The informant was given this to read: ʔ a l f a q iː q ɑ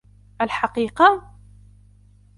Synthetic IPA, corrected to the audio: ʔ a l ħ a q iː q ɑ